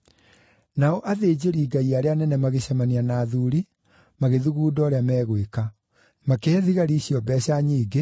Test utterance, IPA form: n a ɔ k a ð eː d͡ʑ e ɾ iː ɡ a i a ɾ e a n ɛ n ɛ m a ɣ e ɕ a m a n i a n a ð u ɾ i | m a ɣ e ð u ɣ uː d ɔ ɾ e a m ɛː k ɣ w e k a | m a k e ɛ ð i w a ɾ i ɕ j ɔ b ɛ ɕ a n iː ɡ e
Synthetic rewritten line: n a ɔ ʔ a ð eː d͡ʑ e ɾ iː ɡ a i a ɾ e a n ɛ n ɛ m a ɣ e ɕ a m a n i a n a ð u ɾ i | m a ɣ e ð u ɣ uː d ɔ ɾ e a m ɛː ɣ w e k a | m a k e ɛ ð i ɣ a ɾ i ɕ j ɔ b ɛ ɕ a ɲ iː ɡ e

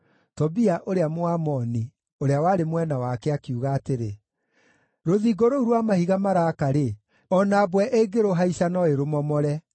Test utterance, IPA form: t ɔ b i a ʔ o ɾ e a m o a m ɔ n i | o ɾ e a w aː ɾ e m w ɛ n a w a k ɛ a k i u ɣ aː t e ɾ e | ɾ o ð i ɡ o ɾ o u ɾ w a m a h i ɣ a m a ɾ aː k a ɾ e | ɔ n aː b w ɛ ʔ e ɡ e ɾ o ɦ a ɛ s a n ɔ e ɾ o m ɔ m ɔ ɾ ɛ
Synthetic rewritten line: t ɔ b i a ʔ o ɾ e a m o a m ɔ n i | o ɾ e a w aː ɾ e m w ɛ n a w a k ɛ a k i u ɣ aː t e ɾ e | ɾ o ð i ɡ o ɾ o u ɾ w a m a h i ɣ a m a ɾ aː k a ɾ e | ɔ n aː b w ɛ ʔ e ɡ e ɾ o ɦ a i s a n ɔ e ɾ o m ɔ m ɔ ɾ ɛ

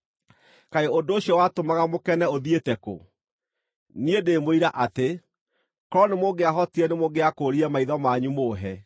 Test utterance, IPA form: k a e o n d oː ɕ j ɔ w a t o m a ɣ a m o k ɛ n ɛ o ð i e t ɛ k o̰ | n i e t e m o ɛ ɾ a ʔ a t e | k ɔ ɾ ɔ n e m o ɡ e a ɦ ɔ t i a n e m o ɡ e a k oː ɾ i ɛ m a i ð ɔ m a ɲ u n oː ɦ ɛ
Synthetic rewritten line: k a e o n d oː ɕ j ɔ w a t o m a ɣ a m o k ɛ n ɛ o ð i e t ɛ k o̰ | n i e d e m o i ɾ a ʔ a t e | k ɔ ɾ ɔ n e m o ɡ e a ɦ ɔ t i ɛ n e m o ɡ e a k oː ɾ i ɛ m a i ð ɔ m a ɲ u m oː ɦ ɛ

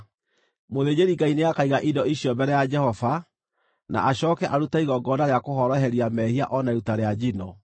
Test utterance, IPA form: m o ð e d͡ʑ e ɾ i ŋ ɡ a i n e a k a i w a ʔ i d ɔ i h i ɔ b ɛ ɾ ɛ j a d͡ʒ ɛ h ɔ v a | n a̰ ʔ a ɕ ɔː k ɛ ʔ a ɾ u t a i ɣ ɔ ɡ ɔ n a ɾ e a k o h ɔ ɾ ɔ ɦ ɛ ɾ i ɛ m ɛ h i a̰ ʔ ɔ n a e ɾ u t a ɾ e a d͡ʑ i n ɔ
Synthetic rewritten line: m o ð e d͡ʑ e ɾ i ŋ ɡ a i n e a k a i ɣ a ʔ i d ɔ i ɕ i ɔ b ɛ ɾ ɛ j a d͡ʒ ɛ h ɔ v a | n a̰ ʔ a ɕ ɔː k ɛ ʔ a ɾ u t a i ɣ ɔ ɡ ɔ n a ɾ e a k o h ɔ ɾ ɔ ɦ ɛ ɾ i a m ɛ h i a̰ ʔ ɔ n a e ɾ u t a ɾ e a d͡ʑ i n ɔ

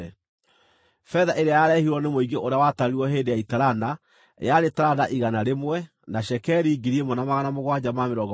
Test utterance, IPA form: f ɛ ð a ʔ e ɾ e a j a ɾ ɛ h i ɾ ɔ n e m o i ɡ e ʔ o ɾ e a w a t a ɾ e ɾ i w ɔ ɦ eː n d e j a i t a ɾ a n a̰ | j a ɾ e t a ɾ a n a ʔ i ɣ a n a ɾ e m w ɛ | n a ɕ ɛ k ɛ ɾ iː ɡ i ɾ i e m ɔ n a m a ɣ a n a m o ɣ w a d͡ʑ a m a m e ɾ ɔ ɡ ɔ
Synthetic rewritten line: f ɛ ð a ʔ e ɾ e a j a ɾ ɛ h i ɾ ɔ n e m o i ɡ e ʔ o ɾ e a w a t a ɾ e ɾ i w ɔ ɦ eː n d e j a i t a ɾ a n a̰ | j a ɾ e t a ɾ a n a ʔ i ɣ a n a ɾ e m w ɛ | n a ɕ ɛ k ɛ ɾ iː ɡ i ɾ i e m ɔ n a m a ɣ a n a m o ɣ w a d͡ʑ a m a m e ɾ ɔ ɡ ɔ

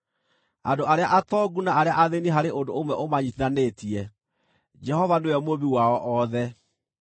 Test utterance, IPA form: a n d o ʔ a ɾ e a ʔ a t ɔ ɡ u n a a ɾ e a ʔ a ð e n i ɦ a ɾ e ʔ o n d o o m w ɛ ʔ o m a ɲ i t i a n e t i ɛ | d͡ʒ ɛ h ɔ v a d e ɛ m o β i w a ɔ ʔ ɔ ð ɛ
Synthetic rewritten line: a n d o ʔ a ɾ e a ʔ a t ɔ ɡ u n a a ɾ e a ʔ a ð e n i ɦ a ɾ e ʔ o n d o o m w ɛ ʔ o m a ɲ i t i a n e t i ɛ | d͡ʒ ɛ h ɔ v a n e ɛ m o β i w a ɔ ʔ ɔ ð ɛ

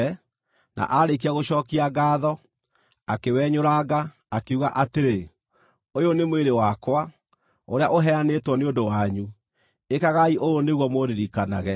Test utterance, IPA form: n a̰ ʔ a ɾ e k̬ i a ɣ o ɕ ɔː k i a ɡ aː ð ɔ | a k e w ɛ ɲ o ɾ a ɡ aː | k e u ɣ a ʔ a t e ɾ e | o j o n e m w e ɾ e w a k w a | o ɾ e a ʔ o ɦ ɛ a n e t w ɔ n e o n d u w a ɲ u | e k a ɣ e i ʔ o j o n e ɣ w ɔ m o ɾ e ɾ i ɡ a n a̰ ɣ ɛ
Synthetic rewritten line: n a̰ ʔ a ɾ e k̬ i a ɣ o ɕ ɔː k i a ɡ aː ð ɔ | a k e w ɛ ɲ o ɾ a ɡ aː | k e u ɣ a ʔ a t e ɾ e | o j o n e m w e ɾ e w a k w a | o ɾ e a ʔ o ɦ ɛ a n e t w ɔ n e o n d o w a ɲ u | e k a ɣ a i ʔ o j o n e ɣ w ɔ m o ɾ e ɾ i k a n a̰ ɣ ɛ

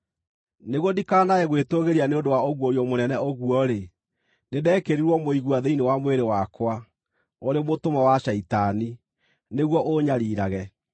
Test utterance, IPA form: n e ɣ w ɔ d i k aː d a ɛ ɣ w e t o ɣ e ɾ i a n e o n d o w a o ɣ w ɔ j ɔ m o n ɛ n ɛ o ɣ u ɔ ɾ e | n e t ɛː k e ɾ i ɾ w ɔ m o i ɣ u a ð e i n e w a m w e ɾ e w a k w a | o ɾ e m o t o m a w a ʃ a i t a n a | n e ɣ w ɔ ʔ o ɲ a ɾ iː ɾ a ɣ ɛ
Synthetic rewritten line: n e ɣ w ɔ d i k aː n a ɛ ɣ w e t o ɣ e ɾ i a n e o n d o w a o ɣ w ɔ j ɔ m o n ɛ n ɛ o ɣ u ɔ ɾ e | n e d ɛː k e ɾ i ɾ w ɔ m o i ɣ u a ð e i n e w a m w e ɾ e w a k w a | o ɾ e m o t o m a w a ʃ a i t a n i | n e ɣ w ɔ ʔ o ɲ a ɾ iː ɾ a ɣ ɛ

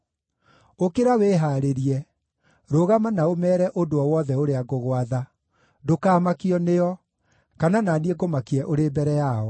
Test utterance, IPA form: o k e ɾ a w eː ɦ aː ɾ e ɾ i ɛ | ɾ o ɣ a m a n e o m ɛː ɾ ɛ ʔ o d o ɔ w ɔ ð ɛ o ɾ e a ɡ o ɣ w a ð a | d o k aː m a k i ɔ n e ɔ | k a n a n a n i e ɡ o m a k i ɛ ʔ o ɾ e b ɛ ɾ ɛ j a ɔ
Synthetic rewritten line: o k e ɾ a w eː ɦ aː ɾ e ɾ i ɛ | ɾ o ɣ a m a n a o m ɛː ɾ ɛ ʔ o d o ɔ w ɔ ð ɛ o ɾ e a ɡ o ɣ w a ð a | d o k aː m a k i ɔ n e ɔ | k a n a n a n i e ɡ o m a k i ɛ ʔ o ɾ e b ɛ ɾ ɛ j a ɔ

